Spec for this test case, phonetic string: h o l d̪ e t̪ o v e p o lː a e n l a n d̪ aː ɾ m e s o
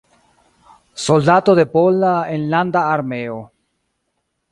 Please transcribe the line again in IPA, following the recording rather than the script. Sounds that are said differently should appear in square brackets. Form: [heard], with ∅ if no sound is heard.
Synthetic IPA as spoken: [s] o l d̪ [a] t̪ o [ð] e p o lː a e n l a n d̪ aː ɾ m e [∅] o